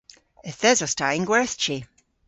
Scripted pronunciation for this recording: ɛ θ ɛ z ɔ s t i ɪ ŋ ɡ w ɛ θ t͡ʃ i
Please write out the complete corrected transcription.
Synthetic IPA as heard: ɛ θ ɛ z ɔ s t a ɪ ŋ ɡ w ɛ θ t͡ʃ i